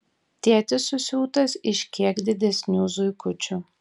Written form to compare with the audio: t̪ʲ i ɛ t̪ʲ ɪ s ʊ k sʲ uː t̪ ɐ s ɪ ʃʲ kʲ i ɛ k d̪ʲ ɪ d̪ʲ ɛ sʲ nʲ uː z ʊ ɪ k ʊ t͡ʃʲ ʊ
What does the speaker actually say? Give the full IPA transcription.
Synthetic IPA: t̪ʲ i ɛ t̪ʲ ɪ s ʊ sʲ uː t̪ ɐ s ɪ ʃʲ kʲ i ɛ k d̪ʲ ɪ d̪ʲ ɛ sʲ nʲ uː z ʊ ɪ k ʊ t͡ʃʲ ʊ